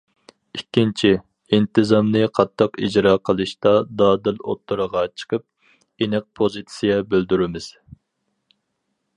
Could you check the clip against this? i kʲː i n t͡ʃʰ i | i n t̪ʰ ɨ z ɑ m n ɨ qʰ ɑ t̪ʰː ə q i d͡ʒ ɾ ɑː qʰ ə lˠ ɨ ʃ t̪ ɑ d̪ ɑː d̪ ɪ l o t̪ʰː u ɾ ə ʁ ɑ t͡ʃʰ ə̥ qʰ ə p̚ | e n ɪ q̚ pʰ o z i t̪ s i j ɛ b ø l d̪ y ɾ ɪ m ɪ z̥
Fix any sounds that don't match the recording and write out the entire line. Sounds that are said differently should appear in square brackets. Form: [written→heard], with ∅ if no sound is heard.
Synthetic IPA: i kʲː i n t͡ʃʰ i | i n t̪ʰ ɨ z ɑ m n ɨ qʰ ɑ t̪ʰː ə q i d͡ʒ ɾ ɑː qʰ ə lˠ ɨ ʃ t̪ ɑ d̪ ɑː d̪ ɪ l o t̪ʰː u ɾ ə ʁ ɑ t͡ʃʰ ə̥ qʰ ə p̚ | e n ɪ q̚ pʰ o z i t̪ s i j ɛ b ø l d̪ y ɾ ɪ m ɪ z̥